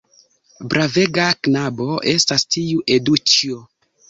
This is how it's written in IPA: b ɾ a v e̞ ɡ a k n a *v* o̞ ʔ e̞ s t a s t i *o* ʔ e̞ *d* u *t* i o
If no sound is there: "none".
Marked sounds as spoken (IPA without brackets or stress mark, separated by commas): b, u, d, t͡ʃ